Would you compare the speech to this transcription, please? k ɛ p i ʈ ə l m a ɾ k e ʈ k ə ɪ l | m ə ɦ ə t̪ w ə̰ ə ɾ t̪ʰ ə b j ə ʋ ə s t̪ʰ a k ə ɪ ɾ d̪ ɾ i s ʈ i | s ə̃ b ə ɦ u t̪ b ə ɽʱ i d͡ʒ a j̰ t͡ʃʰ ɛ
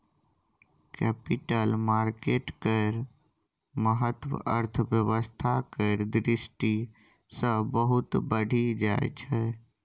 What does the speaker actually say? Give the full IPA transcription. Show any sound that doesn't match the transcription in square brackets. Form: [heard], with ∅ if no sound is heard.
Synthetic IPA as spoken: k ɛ p i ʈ ə l m a ɾ k e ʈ k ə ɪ [ɾ] | m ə ɦ ə t̪ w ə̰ ə ɾ t̪ʰ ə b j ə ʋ ə s t̪ʰ a k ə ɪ ɾ d̪ ɾ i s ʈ i | s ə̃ b ə ɦ u t̪ b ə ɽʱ i d͡ʒ a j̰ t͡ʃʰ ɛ